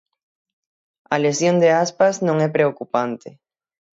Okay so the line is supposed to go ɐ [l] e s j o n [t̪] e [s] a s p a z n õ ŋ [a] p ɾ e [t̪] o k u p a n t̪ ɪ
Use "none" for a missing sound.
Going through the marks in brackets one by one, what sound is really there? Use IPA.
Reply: l, d̪, none, ɛ, none

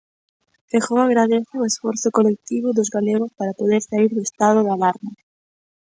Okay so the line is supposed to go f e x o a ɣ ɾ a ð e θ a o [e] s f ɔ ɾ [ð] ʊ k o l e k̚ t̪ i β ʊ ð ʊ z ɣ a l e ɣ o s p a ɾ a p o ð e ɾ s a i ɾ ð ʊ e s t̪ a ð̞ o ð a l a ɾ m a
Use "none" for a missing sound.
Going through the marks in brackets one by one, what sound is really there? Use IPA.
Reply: e, θ

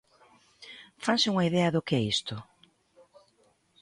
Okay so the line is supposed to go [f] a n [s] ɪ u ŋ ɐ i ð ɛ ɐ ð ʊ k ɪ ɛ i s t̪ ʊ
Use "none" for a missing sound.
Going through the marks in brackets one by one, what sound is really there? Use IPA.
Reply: f, s

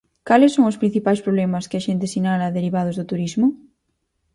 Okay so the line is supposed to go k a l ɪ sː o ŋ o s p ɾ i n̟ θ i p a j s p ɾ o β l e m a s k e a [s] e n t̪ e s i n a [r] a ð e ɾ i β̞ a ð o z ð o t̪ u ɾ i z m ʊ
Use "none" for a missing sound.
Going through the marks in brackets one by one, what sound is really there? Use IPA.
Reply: ʃ, l

